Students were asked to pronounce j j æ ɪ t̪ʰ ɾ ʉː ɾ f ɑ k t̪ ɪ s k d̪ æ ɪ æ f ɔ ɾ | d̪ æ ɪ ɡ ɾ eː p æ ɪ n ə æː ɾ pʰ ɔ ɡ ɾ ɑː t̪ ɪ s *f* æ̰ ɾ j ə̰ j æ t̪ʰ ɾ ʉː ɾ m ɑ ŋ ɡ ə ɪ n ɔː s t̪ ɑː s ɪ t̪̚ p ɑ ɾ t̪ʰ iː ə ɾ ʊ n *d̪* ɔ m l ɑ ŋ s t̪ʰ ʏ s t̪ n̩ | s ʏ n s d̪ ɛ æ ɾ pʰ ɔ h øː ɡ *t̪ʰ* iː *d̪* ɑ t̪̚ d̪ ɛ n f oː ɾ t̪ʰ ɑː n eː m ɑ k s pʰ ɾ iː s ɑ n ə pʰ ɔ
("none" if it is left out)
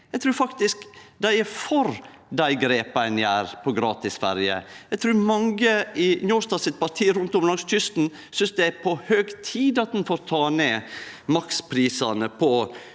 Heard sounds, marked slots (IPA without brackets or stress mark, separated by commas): f, t̪, t̪ʰ, d̪